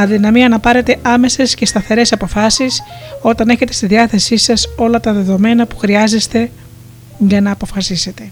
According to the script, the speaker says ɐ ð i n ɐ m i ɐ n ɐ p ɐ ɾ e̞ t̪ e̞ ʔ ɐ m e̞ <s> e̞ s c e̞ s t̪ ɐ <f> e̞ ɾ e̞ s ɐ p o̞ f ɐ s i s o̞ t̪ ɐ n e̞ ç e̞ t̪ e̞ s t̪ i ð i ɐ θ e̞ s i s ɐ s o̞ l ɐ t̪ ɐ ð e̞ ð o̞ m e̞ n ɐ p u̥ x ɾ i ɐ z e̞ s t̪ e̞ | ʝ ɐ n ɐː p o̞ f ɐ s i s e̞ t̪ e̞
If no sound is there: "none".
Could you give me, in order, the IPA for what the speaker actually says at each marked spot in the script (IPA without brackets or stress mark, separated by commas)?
s, θ